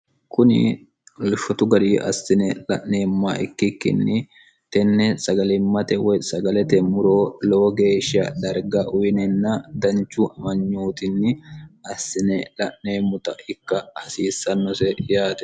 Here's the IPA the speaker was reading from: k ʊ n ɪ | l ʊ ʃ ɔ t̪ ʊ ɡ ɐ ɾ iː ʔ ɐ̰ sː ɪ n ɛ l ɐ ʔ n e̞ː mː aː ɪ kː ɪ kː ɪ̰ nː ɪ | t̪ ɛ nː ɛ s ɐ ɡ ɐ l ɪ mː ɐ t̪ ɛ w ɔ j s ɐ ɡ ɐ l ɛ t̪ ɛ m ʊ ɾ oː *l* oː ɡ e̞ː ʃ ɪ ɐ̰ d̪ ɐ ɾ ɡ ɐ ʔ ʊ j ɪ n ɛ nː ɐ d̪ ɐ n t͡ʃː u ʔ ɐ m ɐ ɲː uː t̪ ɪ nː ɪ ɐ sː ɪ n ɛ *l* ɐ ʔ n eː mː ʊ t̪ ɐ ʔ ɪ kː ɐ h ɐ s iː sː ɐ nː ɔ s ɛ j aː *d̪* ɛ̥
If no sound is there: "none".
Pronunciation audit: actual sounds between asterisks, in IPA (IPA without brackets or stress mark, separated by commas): l, l, t̪